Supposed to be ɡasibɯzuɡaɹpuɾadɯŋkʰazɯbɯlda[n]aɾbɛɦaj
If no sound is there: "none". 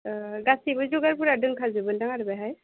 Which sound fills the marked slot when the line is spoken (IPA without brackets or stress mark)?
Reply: ŋ